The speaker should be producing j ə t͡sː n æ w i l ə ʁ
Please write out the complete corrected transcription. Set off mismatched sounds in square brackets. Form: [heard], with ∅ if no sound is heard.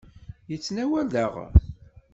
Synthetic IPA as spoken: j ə t͡sː n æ w [æ] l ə ʁ